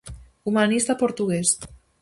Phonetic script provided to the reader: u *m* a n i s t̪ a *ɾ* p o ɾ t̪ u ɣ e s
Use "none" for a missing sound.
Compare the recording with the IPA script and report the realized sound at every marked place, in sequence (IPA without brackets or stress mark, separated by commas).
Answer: m, none